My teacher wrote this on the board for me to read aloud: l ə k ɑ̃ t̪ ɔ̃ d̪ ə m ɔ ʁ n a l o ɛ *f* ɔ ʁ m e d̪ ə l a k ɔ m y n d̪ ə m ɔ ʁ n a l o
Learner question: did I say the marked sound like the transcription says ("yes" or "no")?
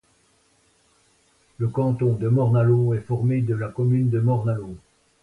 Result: yes